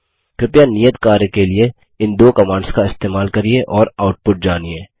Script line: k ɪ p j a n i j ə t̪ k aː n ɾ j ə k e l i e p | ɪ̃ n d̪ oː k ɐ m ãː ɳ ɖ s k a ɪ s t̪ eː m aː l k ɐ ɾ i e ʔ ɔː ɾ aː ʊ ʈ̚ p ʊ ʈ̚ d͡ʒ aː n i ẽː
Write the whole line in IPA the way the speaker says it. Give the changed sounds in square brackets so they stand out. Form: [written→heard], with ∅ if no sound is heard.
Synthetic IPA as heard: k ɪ p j a n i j ə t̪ k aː [n→∅] ɾ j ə k e l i e [p→∅] | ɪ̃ n d̪ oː k ɐ m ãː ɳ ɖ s k a ɪ s t̪ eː m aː l k ɐ ɾ i e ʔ ɔː ɾ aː ʊ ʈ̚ p ʊ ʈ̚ d͡ʒ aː n i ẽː